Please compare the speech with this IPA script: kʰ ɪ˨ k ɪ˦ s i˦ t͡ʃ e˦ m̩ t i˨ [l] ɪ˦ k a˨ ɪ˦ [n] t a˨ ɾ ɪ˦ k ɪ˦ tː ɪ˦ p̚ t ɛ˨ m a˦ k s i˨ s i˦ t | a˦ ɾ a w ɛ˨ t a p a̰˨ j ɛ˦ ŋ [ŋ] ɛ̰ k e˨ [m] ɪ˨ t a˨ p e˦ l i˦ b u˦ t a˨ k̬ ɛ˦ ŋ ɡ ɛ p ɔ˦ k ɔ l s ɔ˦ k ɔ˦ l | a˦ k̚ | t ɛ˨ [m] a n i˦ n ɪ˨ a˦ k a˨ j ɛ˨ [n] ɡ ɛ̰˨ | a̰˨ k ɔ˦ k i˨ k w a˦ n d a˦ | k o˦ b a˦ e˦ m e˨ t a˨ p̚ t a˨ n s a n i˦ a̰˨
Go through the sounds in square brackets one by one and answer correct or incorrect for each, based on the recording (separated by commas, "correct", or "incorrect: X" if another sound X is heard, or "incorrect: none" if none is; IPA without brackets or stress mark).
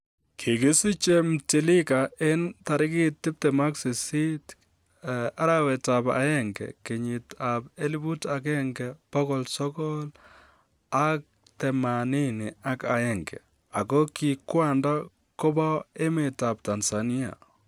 correct, correct, incorrect: ɡ, incorrect: ɲ, correct, incorrect: ŋ